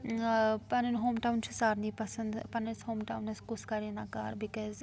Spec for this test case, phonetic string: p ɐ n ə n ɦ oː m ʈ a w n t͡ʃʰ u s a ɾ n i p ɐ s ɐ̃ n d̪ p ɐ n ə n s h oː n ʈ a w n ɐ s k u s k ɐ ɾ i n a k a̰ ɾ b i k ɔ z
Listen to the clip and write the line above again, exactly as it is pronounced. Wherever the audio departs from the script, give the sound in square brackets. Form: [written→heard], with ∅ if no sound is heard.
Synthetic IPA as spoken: p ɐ n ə n ɦ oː m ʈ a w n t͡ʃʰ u s a ɾ n i p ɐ s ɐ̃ n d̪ p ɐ n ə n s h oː [n→m] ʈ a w n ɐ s k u s k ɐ ɾ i n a k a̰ ɾ b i k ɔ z